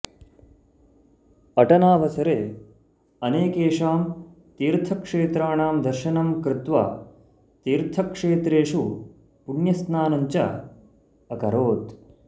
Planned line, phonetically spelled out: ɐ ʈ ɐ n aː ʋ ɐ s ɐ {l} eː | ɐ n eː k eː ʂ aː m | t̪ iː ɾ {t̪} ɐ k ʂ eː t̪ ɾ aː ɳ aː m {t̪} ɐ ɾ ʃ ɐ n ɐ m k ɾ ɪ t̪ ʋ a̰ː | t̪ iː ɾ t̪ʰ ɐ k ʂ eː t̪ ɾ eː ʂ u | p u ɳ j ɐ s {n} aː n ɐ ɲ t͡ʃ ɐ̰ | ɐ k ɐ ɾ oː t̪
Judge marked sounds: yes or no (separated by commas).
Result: no, no, no, yes